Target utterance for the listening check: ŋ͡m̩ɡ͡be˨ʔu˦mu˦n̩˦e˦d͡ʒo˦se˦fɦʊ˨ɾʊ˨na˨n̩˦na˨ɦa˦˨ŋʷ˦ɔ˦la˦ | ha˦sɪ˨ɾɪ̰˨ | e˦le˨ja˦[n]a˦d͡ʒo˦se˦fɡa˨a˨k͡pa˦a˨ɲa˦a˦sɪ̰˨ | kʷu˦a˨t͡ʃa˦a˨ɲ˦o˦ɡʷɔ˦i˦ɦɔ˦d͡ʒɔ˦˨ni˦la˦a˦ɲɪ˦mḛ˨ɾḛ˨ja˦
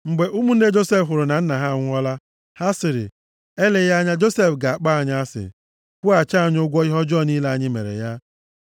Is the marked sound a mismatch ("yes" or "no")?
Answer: yes